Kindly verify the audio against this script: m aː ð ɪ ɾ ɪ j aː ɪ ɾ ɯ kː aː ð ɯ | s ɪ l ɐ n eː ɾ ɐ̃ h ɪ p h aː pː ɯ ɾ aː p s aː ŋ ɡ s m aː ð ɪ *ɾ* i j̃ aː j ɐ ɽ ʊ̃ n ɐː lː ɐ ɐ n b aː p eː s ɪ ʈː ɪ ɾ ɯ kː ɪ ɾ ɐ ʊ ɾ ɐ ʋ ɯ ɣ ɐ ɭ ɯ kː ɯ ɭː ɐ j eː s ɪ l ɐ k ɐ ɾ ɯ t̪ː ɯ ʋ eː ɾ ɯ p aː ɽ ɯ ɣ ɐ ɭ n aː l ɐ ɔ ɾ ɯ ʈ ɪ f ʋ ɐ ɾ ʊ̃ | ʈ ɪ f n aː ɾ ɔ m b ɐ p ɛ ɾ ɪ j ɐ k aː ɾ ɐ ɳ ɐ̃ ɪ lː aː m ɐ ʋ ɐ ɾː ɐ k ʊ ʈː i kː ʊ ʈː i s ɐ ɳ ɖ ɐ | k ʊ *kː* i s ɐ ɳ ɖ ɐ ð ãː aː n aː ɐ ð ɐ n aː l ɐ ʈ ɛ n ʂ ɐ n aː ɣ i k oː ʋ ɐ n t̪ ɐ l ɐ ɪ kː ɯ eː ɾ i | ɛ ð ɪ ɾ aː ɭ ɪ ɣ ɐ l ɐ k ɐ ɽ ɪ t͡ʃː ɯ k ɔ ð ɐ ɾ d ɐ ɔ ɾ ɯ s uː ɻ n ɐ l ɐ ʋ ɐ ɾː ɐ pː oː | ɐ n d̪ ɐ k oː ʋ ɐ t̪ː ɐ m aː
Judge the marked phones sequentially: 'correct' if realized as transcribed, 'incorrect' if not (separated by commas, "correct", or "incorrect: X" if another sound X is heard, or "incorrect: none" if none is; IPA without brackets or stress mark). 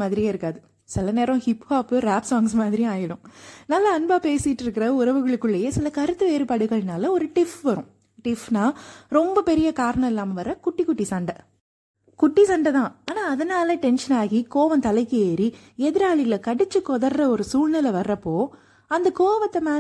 correct, incorrect: ʈː